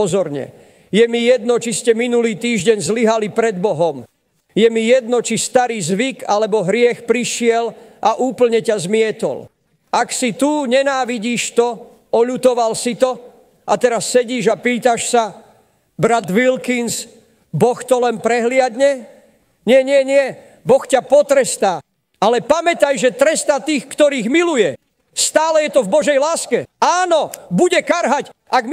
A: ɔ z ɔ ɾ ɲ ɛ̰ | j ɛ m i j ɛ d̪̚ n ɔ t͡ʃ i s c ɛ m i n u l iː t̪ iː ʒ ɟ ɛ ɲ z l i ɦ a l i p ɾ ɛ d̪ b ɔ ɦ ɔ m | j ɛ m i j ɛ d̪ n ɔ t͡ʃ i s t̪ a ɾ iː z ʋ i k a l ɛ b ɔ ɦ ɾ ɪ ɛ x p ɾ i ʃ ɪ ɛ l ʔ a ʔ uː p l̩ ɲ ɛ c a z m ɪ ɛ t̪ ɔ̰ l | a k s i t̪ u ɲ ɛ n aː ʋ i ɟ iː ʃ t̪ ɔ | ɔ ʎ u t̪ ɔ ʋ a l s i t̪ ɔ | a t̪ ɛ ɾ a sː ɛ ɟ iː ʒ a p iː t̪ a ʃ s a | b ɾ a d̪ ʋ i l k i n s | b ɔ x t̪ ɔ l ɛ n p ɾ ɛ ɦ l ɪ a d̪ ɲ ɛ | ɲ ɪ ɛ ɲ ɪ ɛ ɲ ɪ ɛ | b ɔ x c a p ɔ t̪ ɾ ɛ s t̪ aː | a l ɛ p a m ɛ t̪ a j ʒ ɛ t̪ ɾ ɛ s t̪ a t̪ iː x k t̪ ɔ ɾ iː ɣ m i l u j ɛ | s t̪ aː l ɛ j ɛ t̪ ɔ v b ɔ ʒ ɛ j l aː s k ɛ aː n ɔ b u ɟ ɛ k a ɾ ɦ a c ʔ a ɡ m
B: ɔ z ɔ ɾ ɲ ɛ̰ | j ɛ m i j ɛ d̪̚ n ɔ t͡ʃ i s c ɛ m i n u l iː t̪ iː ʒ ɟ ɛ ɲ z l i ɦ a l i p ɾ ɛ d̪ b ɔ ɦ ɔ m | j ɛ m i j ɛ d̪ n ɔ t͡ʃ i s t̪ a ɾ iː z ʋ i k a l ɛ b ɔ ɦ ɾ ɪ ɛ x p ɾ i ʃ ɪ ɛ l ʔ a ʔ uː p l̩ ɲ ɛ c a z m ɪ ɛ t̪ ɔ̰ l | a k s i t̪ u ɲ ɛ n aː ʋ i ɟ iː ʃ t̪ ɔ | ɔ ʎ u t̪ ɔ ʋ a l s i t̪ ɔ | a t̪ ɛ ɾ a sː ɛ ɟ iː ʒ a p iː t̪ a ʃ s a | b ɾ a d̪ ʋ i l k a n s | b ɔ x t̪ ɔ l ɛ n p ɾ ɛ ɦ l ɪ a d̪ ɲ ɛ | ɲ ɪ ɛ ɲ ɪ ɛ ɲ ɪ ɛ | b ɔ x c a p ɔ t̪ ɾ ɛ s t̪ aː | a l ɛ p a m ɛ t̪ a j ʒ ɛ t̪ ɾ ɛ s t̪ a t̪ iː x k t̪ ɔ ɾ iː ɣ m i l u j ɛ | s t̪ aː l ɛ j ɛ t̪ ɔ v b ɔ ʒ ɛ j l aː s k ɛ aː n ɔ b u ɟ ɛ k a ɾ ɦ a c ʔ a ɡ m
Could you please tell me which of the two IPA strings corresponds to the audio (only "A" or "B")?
A